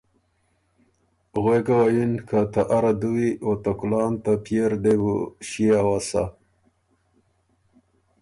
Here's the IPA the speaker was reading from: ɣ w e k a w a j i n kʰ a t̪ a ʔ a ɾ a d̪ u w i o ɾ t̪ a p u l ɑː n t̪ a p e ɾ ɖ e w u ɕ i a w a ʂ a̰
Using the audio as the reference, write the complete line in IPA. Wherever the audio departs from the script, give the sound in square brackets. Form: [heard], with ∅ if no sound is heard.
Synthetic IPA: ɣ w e k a w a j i n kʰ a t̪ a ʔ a ɾ a d̪ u w i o [∅] t̪ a [k] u l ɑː n t̪ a p e ɾ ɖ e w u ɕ i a w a [s] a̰

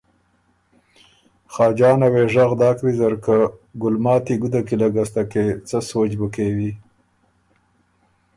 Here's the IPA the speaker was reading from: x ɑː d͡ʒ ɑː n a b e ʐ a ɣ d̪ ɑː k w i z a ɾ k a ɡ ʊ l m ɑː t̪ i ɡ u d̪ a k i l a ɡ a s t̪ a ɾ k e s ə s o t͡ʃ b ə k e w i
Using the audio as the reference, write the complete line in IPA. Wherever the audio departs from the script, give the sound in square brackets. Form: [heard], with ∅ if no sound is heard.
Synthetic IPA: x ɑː d͡ʒ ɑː n a [w] e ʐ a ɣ d̪ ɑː k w i z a ɾ k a ɡ ʊ l m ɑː t̪ i ɡ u d̪ a k i l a ɡ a s t̪ a [∅] k e [t͡s] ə s o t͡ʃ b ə k e w i

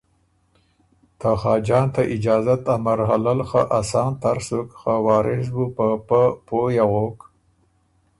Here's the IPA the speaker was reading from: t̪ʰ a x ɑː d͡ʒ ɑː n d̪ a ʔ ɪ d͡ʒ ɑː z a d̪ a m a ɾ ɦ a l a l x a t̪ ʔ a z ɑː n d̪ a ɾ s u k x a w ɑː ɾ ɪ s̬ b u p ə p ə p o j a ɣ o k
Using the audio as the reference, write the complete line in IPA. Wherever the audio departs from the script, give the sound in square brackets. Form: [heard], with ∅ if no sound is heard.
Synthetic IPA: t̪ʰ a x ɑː d͡ʒ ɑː n [t̪] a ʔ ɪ d͡ʒ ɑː z a [t̪] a m a ɾ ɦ a l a l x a [∅] ʔ a [s] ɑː n [t̪] a ɾ s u k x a w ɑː ɾ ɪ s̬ b u p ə p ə p o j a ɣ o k

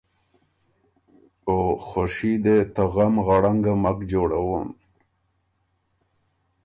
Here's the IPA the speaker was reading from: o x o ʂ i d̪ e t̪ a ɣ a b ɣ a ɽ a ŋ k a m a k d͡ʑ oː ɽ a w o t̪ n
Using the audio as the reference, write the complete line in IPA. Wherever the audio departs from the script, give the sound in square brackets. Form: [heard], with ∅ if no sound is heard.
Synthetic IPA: o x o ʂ i d̪ e t̪ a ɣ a [m] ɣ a ɽ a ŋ [ɡ] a m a k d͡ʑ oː ɽ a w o [∅] n

